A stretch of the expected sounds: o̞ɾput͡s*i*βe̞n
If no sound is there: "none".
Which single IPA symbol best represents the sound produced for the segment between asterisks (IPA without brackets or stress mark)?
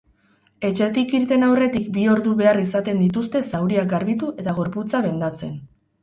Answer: a